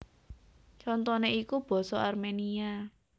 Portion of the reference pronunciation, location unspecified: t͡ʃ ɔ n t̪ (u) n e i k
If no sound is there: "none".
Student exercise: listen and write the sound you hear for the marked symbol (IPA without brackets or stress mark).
ɔ